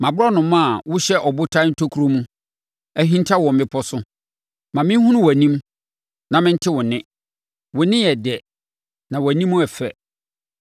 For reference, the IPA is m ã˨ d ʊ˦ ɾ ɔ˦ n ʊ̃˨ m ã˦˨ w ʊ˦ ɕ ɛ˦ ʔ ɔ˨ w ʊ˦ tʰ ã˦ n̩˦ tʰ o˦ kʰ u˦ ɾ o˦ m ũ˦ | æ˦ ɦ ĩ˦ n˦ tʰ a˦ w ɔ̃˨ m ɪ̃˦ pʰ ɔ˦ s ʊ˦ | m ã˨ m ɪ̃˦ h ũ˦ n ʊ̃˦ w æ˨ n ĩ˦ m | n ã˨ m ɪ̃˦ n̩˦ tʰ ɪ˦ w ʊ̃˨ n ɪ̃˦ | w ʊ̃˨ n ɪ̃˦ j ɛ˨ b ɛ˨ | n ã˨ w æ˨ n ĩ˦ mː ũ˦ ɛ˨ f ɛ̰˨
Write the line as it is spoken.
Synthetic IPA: m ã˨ b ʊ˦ ɾ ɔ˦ n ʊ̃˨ m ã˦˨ w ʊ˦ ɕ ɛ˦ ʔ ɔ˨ b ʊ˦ tʰ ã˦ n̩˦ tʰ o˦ kʰ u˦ ɾ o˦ m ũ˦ | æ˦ ɦ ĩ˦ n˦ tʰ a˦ w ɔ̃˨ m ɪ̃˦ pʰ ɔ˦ s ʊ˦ | m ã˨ m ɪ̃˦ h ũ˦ n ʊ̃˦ w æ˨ n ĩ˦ m | n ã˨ m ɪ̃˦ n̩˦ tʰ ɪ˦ w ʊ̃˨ n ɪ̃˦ | w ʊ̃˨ n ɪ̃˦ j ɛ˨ d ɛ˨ | n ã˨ w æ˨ n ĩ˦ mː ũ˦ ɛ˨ f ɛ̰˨